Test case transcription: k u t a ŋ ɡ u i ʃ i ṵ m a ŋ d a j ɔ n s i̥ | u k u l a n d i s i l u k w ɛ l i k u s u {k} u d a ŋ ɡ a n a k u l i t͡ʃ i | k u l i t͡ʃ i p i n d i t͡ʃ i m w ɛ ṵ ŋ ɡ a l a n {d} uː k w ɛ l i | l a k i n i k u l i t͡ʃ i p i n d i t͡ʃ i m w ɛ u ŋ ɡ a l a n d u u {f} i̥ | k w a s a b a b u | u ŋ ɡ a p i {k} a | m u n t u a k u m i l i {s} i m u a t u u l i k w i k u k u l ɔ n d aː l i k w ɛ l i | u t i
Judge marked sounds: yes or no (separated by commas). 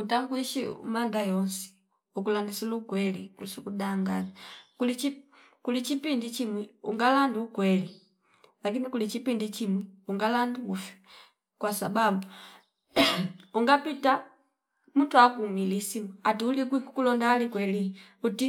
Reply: yes, yes, yes, no, yes